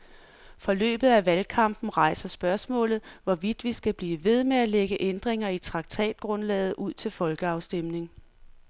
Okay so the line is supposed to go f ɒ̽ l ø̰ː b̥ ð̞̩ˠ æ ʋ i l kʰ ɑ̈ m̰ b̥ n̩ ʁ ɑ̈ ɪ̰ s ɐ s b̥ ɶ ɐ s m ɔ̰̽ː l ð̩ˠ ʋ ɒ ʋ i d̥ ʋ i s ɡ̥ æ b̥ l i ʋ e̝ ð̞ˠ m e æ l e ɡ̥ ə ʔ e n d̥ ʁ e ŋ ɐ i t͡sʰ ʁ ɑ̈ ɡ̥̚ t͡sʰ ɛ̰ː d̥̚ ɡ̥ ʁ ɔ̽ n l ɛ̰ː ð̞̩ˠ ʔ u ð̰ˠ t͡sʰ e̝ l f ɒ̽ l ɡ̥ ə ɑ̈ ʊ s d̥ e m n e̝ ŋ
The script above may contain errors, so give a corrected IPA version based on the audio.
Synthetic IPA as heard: f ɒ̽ l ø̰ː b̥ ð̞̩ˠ æ ʋ æ l kʰ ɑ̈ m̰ b̥ n̩ ʁ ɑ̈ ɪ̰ s ɐ s b̥ ɶ ɐ s m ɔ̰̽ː l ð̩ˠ ʋ ɒ ʋ i d̥ ʋ i s ɡ̥ æ b̥ l iː ʋ e̝ ð̞ˠ m e æ l e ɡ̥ ə ʔ e n d̥ ʁ e ŋ ɐ i t͡sʰ ʁ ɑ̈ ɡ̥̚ t͡sʰ ɛ̰ː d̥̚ ɡ̥ ʁ ɔ̽ n l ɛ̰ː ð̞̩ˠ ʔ u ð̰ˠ t͡sʰ e̝ l f ɒ̽ l ɡ̥ ə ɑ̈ ʊ s d̥ e m n e̝ ŋ